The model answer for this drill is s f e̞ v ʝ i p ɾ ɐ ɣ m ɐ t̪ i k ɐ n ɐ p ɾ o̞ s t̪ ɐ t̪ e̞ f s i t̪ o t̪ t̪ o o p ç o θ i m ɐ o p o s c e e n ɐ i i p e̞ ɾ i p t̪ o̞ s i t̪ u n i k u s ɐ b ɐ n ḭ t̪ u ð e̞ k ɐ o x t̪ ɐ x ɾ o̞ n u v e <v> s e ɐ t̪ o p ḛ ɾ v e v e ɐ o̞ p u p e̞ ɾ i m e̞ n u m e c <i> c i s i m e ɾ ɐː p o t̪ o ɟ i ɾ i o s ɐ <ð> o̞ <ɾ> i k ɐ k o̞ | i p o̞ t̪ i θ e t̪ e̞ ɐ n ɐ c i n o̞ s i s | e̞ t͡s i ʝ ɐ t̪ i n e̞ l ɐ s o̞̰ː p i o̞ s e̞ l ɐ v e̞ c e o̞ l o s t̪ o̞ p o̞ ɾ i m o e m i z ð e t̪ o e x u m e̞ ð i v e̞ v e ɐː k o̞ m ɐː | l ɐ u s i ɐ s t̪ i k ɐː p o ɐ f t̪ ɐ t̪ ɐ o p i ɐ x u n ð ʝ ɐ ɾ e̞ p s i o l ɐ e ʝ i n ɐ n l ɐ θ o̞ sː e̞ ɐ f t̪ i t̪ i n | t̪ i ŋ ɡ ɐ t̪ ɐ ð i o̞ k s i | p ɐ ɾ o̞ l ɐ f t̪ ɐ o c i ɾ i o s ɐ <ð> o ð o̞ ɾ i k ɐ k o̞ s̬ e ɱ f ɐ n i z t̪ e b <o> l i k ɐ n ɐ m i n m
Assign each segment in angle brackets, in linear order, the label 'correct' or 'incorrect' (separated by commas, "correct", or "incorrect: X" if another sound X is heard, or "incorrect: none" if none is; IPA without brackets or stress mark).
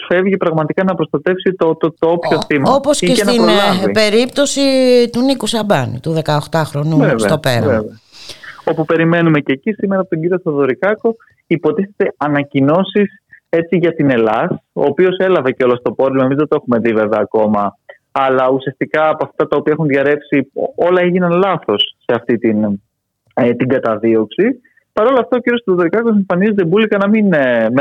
correct, incorrect: e, correct, correct, correct, incorrect: u